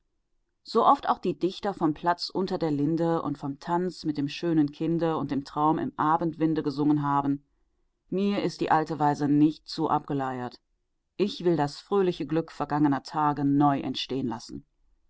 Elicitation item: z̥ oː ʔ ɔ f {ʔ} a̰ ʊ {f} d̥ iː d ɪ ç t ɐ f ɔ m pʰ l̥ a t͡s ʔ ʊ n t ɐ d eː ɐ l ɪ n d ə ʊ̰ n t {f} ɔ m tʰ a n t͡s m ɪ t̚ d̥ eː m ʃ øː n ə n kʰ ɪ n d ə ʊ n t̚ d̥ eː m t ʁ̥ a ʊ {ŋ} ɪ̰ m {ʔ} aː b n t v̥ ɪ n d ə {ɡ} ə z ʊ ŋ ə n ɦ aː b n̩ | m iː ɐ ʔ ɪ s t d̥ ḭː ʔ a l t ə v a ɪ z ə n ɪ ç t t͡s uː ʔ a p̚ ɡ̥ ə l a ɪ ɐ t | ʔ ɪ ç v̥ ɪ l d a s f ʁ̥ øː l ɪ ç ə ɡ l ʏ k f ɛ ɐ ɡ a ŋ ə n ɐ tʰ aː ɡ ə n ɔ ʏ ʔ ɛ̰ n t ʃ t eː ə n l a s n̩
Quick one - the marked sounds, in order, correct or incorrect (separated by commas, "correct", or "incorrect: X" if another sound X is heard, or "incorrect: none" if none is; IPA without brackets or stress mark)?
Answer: incorrect: t, incorrect: x, correct, incorrect: m, correct, correct